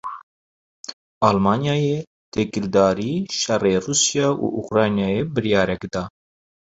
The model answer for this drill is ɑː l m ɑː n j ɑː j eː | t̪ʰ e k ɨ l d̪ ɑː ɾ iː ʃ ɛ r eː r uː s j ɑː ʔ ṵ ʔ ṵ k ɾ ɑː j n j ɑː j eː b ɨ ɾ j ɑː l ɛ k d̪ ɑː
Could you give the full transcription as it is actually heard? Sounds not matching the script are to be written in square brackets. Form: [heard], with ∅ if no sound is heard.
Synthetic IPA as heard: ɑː l m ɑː n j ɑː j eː | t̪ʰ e k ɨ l d̪ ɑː ɾ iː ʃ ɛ r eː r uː s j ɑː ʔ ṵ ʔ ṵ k ɾ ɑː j n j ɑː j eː b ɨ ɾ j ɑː [ɾ] ɛ k d̪ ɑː